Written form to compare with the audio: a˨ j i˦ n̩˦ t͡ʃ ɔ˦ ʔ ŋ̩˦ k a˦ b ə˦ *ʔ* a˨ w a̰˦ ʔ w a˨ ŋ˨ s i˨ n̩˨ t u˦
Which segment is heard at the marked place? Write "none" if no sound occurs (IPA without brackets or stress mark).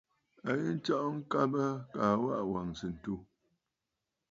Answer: k